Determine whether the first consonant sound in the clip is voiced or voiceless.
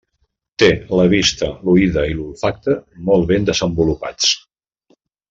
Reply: voiceless